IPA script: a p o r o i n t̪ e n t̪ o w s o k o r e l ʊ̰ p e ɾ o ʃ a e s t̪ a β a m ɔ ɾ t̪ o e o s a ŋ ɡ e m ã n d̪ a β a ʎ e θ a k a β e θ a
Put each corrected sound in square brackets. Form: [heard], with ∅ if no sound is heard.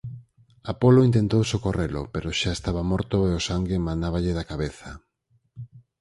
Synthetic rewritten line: a p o [l] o i n t̪ e n t̪ o w s o k o r e l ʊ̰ p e ɾ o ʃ a e s t̪ a β a m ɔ ɾ t̪ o e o s a ŋ ɡ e m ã n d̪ a β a ʎ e [ð] a k a β e θ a

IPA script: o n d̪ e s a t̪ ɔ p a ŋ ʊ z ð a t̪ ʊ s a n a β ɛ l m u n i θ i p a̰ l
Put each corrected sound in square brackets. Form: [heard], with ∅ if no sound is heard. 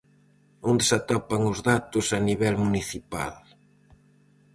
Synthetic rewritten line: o n d̪ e s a t̪ ɔ p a ŋ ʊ z ð a t̪ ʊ s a n [i] β ɛ l m u n i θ i p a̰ l

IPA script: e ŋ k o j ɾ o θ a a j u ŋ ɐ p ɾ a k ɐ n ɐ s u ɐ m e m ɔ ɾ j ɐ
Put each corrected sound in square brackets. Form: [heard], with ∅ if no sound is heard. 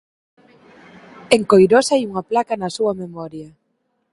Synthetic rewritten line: e ŋ k o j ɾ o [s] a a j u ŋ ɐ p [l] a k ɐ n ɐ s u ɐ m e m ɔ ɾ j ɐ

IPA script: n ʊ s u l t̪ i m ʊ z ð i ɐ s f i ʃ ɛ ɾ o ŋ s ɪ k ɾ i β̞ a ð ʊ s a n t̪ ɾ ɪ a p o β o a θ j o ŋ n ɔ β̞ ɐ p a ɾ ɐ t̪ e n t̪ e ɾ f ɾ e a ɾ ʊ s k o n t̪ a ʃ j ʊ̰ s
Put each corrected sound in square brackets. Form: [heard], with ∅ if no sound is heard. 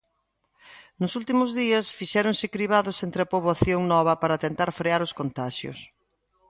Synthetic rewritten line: n ʊ s u l t̪ i m ʊ z ð i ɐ s f i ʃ ɛ ɾ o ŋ s ɪ k ɾ i β̞ a ð ʊ s [e] n t̪ ɾ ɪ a p o β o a θ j o ŋ n ɔ β̞ ɐ p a ɾ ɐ t̪ e n t̪ [a] ɾ f ɾ e a ɾ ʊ s k o n t̪ a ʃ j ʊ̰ s

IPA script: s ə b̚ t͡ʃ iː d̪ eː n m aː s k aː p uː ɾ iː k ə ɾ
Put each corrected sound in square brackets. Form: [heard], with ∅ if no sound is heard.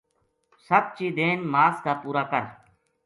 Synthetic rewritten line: s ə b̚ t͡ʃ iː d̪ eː n m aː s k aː p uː ɾ [aː] k ə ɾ

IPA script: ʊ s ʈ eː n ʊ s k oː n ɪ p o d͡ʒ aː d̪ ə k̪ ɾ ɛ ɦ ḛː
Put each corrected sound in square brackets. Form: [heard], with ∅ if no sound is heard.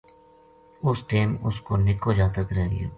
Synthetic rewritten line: ʊ s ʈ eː [m] ʊ s k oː n ɪ [k] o d͡ʒ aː [t̪] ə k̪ ɾ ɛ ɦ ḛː

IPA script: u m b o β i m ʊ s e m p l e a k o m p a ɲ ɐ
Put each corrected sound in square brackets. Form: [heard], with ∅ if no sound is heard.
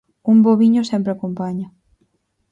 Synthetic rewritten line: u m b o β i [ɲ] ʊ s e m p [ɾ] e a k o m p a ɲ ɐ

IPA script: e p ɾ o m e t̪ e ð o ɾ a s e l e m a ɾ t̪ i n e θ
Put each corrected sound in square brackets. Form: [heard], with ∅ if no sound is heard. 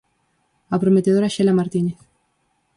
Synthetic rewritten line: [a] p ɾ o m e t̪ e ð o ɾ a [ʃ] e l [a] m a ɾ t̪ i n e θ

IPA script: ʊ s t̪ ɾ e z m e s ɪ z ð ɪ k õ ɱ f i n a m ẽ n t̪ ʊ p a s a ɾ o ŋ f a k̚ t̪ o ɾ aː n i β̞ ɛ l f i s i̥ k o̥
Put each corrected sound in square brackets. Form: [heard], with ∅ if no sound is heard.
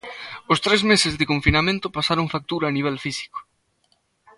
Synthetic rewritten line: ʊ s t̪ ɾ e z m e s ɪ z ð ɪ k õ ɱ f i n a m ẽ n t̪ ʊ p a s a ɾ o ŋ f a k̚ t̪ [u] ɾ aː n i β̞ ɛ l f i s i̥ k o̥

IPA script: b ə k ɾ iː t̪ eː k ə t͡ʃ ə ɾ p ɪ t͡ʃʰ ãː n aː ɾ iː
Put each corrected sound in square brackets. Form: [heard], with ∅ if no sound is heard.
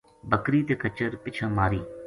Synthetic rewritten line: b ə k ɾ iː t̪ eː k ə t͡ʃ ə ɾ p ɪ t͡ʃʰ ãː [m] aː ɾ iː

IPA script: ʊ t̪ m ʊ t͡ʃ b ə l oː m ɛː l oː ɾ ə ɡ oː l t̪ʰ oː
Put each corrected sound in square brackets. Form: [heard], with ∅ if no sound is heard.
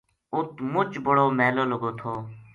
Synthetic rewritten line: ʊ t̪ m ʊ t͡ʃ b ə [ɽ] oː m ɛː l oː [l] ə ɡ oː [∅] t̪ʰ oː

